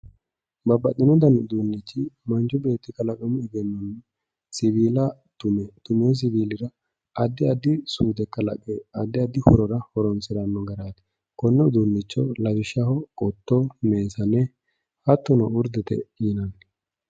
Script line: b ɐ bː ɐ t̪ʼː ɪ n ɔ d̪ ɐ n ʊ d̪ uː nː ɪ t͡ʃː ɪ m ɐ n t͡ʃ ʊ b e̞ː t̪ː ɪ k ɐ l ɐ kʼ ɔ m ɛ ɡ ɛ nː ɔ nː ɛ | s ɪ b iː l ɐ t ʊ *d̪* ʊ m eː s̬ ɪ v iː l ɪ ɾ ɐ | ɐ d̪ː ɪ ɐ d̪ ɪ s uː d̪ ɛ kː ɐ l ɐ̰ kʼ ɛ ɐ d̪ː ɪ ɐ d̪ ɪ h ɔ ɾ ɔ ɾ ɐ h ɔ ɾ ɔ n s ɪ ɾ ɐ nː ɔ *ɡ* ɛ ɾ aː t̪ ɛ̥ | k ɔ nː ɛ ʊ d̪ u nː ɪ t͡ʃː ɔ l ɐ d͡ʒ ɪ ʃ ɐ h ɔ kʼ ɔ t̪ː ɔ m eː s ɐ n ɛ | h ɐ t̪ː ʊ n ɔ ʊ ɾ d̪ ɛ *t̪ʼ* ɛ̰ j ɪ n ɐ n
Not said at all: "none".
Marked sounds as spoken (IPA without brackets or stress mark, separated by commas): t̪, ɡ, t̪